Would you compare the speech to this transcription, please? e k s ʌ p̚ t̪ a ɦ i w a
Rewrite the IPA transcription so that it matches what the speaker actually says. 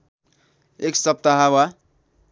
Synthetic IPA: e k s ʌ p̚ t̪ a ɦ a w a